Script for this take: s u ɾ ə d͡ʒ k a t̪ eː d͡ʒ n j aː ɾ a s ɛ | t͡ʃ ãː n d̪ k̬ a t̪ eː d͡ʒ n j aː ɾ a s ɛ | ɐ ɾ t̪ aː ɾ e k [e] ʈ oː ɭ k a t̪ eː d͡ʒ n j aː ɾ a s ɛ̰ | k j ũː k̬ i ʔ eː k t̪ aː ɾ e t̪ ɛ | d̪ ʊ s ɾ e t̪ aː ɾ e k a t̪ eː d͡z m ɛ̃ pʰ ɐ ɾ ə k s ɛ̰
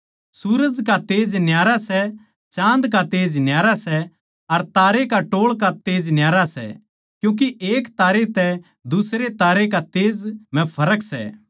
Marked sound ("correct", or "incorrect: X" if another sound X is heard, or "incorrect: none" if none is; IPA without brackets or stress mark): incorrect: a